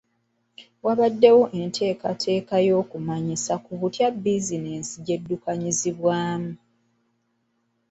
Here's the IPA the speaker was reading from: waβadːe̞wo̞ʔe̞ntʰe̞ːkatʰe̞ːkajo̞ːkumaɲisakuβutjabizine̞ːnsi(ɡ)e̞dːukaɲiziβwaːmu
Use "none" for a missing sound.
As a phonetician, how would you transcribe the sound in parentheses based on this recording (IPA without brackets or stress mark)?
ɟ